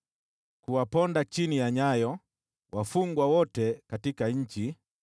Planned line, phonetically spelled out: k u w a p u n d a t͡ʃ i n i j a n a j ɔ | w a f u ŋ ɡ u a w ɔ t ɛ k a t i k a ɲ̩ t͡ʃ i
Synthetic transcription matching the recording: k u w a p ɔ n d a t͡ʃ i n i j a ɲ a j ɔ | w a f u ŋ ɡ w a w ɔ t ɛ k a t i k a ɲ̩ t͡ʃ i